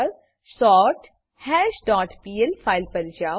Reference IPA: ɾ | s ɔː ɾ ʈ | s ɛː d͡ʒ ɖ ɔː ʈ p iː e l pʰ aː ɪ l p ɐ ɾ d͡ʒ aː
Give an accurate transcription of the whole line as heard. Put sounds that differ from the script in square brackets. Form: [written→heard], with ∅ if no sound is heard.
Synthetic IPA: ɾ | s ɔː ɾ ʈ | [s→h] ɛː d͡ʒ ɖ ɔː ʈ p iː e l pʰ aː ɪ l p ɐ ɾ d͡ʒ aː